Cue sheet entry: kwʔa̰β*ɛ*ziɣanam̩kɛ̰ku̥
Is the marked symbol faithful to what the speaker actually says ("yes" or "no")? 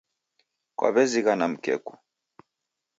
yes